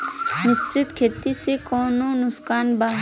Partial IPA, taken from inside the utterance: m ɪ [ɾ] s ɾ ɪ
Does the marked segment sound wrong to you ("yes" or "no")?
yes